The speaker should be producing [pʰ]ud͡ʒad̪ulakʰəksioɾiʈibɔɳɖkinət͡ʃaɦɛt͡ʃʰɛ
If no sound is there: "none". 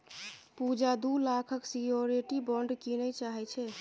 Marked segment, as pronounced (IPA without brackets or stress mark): p